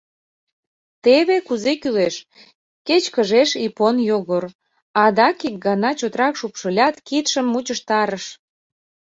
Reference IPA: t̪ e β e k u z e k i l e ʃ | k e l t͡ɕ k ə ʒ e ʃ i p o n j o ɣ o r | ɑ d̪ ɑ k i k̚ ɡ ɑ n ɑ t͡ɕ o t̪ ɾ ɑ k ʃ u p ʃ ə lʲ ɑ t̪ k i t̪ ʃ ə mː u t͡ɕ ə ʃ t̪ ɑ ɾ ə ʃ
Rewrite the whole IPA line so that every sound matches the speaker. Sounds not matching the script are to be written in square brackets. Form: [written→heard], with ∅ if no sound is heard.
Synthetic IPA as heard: t̪ e β e k u z e k [i→y] l e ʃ | k e [l→∅] t͡ɕ k ə ʒ e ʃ i p o n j o ɣ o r | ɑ d̪ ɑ k i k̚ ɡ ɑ n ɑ t͡ɕ o t̪ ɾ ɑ k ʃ u p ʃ ə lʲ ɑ t̪ k i t̪ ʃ ə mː u t͡ɕ ə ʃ t̪ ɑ ɾ ə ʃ